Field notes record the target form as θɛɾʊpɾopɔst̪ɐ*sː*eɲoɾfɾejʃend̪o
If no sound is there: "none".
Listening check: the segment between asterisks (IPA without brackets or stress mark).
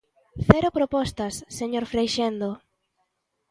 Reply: sː